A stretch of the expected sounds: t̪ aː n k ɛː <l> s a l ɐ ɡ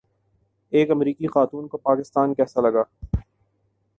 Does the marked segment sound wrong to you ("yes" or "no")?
yes